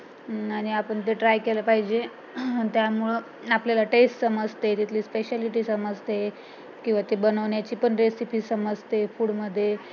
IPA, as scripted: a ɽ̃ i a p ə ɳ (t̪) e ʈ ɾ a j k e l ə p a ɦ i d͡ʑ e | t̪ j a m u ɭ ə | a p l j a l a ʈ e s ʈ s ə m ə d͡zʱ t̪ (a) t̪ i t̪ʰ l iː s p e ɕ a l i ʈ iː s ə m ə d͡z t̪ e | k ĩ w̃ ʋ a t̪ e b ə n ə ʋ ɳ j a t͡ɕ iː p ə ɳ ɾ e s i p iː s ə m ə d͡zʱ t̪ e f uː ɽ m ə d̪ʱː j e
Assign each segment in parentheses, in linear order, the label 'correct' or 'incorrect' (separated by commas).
correct, incorrect